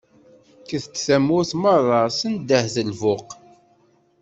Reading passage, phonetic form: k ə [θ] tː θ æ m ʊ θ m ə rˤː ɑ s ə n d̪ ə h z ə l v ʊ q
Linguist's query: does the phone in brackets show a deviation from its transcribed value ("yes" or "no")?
no